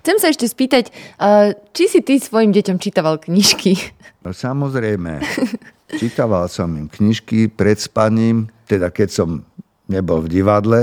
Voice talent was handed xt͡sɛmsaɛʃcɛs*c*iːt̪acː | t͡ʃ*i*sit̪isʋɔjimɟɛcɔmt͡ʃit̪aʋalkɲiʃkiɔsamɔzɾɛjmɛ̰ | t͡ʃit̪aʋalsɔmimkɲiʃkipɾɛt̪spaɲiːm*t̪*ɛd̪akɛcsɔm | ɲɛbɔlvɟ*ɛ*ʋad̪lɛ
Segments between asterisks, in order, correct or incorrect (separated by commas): incorrect, correct, correct, incorrect